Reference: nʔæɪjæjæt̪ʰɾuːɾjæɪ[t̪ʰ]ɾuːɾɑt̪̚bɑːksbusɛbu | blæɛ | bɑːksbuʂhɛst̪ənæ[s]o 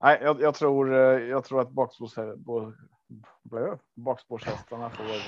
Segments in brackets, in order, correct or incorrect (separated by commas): correct, incorrect